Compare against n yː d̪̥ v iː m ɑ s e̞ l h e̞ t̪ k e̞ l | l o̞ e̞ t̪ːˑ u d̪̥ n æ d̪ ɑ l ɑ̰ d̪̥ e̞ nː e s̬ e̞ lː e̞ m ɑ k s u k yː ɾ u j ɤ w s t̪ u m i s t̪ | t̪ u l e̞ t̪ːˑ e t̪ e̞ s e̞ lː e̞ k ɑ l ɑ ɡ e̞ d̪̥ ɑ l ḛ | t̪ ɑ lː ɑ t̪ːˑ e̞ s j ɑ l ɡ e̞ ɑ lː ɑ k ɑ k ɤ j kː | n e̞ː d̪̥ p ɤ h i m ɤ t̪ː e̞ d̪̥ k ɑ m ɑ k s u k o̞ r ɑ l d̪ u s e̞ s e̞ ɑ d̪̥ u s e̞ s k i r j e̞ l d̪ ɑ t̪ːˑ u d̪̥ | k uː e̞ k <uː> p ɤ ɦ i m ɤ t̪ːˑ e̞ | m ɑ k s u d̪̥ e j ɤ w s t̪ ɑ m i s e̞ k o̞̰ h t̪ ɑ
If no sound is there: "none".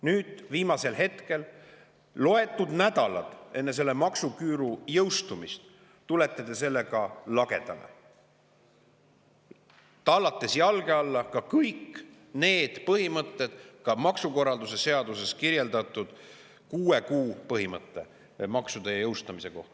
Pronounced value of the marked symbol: uː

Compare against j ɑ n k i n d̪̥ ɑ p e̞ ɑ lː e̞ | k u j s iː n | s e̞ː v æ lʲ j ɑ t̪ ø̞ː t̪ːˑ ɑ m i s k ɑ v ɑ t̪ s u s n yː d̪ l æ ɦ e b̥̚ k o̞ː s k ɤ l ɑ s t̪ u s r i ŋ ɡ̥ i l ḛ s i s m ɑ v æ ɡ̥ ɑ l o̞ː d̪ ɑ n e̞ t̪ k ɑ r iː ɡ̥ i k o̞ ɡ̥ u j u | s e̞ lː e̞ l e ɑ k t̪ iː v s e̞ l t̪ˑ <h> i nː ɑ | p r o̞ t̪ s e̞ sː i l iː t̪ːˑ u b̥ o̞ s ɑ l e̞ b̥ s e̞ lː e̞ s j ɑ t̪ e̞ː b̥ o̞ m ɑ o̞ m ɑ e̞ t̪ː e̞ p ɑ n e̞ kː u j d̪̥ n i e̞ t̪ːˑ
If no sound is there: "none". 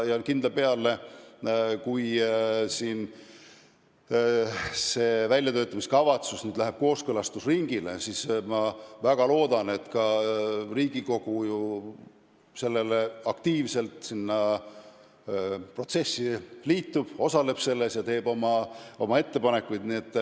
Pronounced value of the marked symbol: s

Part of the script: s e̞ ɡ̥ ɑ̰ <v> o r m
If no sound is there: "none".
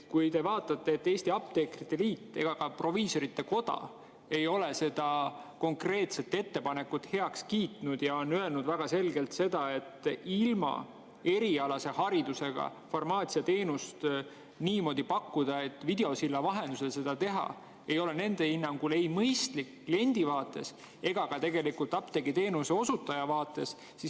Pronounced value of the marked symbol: f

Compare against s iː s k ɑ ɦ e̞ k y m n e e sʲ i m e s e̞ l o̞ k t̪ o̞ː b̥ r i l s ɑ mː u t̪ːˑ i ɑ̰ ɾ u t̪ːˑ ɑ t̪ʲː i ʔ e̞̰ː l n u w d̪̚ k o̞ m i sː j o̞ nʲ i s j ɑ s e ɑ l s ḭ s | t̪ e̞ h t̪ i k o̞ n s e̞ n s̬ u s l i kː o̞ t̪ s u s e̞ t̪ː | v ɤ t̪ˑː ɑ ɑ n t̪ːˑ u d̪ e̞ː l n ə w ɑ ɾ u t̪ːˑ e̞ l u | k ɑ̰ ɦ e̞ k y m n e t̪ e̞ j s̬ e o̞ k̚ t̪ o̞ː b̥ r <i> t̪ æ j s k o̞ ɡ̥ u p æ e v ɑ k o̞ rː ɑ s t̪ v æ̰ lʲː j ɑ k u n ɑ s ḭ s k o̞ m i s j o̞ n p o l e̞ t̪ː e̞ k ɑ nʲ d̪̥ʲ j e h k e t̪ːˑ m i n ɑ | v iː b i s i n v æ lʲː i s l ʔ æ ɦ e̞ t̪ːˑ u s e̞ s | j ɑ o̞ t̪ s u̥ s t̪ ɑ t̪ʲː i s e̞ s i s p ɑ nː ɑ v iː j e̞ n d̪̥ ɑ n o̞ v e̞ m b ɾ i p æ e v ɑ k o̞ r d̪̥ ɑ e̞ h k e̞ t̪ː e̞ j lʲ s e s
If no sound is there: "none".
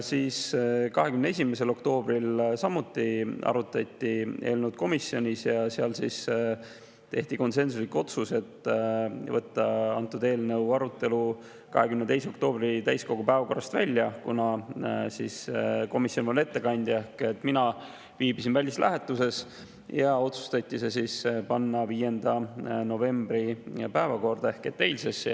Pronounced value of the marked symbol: i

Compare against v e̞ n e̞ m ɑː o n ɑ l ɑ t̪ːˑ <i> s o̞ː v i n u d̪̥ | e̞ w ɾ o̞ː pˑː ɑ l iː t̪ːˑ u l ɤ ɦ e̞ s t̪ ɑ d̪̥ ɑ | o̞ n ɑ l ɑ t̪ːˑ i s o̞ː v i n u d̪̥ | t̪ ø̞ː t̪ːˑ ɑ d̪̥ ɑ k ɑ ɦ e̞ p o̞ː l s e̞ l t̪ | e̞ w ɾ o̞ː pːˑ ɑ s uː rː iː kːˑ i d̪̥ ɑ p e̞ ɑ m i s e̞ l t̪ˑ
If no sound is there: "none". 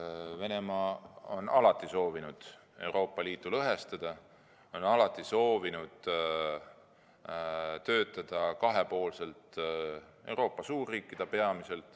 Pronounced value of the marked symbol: i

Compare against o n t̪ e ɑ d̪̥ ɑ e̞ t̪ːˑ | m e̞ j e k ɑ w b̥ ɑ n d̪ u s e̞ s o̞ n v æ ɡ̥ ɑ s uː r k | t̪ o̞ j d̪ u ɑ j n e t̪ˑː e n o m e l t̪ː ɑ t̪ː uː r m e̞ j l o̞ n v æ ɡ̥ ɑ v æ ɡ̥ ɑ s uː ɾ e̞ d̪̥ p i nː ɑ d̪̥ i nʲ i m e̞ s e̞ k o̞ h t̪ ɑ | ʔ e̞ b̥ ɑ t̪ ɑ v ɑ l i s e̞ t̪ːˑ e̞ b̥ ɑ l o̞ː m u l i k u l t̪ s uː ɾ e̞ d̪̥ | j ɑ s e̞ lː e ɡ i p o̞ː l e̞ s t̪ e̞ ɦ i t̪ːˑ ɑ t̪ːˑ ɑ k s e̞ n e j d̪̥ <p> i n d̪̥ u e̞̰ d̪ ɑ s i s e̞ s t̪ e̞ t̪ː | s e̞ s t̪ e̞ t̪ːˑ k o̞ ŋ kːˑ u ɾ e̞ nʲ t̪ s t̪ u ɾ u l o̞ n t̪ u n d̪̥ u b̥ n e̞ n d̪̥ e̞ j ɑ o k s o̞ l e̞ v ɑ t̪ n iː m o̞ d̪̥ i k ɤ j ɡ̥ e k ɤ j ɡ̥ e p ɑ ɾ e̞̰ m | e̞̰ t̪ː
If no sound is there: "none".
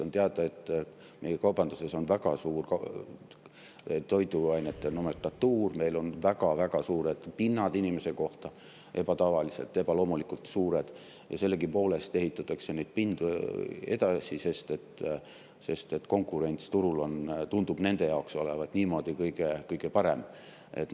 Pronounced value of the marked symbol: p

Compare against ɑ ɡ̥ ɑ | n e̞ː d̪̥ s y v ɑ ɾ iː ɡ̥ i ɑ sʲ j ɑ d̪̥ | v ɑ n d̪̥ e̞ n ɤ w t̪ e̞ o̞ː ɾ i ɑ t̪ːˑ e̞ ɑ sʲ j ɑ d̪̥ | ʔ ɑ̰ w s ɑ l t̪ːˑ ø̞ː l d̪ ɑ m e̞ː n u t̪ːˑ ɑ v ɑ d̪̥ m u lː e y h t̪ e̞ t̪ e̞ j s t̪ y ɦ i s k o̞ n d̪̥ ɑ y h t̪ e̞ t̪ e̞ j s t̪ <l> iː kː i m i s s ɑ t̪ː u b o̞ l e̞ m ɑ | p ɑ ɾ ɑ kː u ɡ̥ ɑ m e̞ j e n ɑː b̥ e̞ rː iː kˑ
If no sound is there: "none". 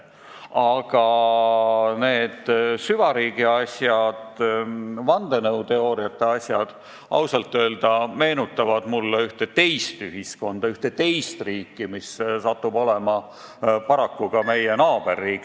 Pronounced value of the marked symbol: r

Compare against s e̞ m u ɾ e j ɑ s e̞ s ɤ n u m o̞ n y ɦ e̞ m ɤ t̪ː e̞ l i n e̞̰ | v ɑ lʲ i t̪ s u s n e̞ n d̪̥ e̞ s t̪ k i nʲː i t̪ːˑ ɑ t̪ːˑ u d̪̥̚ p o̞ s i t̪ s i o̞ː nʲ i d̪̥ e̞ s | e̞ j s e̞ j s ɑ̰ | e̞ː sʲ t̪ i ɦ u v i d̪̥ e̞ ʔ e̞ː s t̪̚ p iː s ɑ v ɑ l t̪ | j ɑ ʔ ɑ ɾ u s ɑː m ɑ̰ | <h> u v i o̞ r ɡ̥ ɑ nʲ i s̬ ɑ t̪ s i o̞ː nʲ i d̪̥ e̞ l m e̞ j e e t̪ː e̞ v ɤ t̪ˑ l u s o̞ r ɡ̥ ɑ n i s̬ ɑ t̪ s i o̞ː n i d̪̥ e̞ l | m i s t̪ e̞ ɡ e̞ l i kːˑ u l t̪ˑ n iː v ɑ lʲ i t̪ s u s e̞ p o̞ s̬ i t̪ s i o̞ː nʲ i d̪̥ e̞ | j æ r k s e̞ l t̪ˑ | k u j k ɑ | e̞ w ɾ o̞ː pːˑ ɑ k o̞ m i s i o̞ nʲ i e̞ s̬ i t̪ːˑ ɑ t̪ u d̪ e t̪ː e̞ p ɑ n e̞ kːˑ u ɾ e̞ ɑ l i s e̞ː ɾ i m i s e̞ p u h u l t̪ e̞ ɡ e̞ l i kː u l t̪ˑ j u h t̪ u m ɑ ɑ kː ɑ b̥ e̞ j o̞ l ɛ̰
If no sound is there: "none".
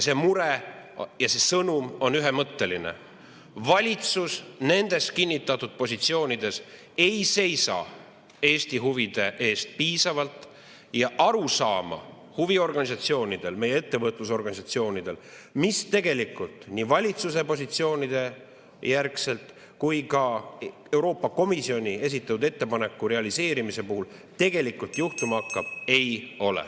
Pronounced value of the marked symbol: h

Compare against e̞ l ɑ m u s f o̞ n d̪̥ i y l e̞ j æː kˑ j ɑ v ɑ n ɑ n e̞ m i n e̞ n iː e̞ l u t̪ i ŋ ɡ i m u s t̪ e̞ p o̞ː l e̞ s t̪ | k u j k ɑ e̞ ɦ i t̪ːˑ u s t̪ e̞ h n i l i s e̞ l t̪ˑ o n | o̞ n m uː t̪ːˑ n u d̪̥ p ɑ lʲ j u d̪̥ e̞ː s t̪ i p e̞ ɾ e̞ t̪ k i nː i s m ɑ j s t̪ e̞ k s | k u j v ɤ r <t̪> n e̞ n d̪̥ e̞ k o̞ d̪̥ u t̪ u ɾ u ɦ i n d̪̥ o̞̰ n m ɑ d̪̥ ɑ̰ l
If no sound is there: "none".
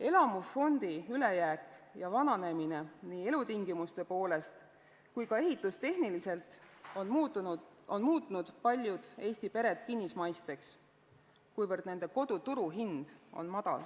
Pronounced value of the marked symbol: d̪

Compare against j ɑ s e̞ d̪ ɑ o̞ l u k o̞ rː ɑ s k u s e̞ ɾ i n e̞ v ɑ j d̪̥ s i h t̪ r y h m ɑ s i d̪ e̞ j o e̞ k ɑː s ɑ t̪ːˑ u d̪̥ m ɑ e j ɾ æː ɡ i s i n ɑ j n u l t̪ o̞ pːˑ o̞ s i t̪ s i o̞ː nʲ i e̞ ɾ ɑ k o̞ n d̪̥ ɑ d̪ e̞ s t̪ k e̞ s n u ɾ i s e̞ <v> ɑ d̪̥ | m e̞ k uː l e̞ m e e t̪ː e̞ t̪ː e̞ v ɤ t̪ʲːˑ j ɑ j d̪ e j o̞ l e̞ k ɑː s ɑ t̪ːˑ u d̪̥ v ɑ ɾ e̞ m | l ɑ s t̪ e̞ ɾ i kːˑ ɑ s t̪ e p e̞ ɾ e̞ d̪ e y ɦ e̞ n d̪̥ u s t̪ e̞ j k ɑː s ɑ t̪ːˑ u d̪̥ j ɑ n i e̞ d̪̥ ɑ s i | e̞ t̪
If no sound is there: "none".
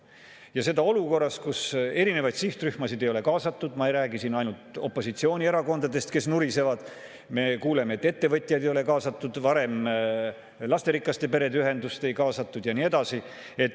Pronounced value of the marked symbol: v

